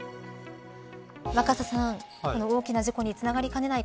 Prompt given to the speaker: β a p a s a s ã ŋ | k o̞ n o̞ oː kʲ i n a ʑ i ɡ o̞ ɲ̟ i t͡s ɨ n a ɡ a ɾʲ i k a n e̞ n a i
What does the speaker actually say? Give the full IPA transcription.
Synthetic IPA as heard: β a k a s a s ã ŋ | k o̞ n o̞ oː kʲ i n a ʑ i k o̞ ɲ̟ i t͡s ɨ n a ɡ a ɾʲ i k a n e̞ n a i